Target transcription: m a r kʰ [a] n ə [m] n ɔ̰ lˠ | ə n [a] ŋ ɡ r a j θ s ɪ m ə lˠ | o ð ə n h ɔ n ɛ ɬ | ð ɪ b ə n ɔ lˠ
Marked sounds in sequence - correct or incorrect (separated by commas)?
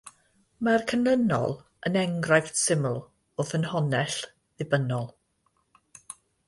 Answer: incorrect, incorrect, incorrect